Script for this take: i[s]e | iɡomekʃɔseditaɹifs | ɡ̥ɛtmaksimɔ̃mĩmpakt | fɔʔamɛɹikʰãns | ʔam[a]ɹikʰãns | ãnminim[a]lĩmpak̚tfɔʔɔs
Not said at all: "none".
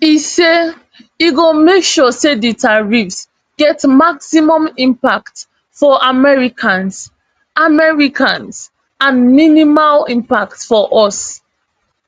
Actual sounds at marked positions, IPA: s, ɛ, a

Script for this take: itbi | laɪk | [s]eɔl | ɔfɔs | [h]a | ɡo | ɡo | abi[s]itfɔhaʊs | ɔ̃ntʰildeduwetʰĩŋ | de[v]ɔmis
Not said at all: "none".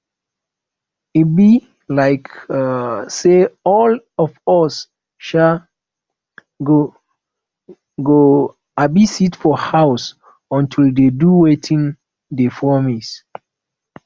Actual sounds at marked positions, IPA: s, ʃ, s, f

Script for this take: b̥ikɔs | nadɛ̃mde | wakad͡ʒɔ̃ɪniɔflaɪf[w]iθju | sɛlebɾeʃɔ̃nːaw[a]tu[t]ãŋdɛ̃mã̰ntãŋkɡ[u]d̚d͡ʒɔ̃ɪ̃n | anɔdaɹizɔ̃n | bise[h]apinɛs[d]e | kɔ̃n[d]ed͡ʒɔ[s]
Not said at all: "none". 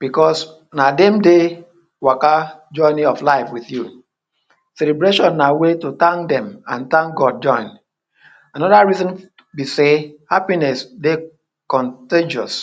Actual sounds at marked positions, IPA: w, e, t, ɔ, h, d, t, s

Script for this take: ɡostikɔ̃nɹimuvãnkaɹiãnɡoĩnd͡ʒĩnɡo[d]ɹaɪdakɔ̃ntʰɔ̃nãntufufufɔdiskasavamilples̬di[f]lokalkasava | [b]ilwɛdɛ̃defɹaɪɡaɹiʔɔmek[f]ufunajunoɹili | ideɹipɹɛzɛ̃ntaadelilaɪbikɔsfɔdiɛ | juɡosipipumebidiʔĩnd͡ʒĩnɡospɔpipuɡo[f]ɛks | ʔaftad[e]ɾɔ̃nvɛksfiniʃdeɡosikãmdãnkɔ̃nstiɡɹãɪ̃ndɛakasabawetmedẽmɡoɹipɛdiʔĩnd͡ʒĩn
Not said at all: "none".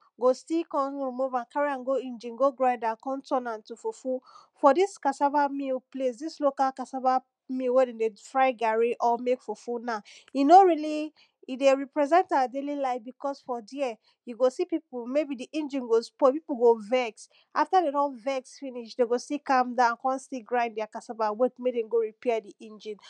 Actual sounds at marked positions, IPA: ɡ, s, m, f, v, e

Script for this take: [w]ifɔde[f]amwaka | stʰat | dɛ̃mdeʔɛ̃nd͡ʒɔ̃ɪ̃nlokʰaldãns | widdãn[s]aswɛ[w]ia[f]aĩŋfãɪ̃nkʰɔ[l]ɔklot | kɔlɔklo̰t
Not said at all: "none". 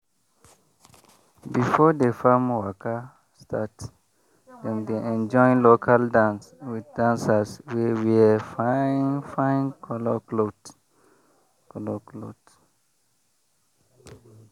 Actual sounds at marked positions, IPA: b, f, s, w, f, l

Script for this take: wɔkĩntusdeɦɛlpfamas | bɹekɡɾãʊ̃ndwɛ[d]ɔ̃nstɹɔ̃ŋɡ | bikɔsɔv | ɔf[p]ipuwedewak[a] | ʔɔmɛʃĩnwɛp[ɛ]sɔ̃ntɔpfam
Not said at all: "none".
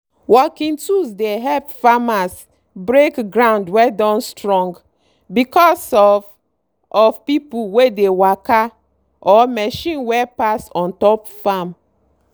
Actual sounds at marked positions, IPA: d, p, a, a

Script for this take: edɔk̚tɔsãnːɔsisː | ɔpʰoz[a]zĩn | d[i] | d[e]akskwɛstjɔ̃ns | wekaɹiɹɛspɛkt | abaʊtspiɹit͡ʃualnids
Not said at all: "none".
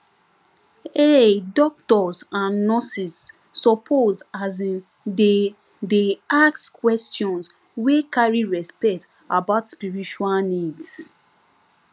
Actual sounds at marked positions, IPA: a, e, e

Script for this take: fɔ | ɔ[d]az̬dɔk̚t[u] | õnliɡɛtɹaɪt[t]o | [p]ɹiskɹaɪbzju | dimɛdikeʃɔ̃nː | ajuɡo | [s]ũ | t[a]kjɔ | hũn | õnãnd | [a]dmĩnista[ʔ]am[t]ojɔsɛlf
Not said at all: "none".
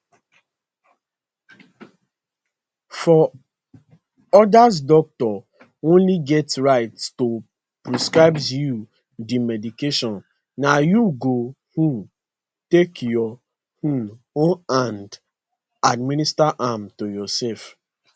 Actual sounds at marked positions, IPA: d, ɔ, t, p, h, e, a, ʔ, t

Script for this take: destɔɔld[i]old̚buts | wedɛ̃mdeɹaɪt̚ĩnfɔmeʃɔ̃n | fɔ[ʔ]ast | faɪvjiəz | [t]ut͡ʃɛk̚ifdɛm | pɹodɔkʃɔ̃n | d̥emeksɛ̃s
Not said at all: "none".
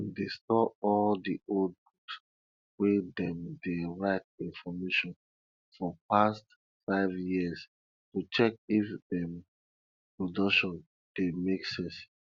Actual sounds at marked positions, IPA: i, p, t

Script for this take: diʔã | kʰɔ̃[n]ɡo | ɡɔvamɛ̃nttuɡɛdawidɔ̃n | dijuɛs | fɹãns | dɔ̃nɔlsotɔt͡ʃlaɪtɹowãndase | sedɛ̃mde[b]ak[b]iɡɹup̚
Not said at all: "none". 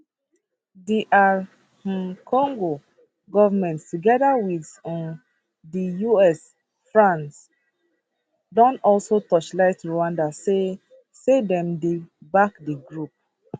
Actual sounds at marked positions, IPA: ŋ, b, d

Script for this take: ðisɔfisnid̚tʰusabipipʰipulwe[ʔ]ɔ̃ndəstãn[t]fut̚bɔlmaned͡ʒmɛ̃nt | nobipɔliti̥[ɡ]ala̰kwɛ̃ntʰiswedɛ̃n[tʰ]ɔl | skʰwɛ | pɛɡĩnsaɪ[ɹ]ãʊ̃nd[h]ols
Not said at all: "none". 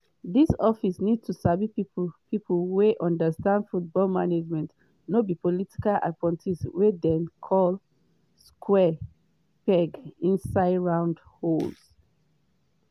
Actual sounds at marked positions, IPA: ʔ, d, k, kʰ, ɹ, h

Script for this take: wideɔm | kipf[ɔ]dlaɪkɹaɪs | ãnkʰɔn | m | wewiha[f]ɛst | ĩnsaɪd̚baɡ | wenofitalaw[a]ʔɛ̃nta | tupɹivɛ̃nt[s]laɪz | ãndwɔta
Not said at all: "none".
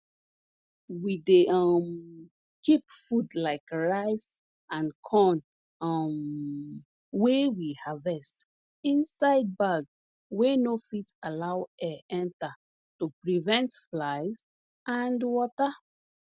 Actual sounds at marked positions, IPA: u, v, ɛ, f

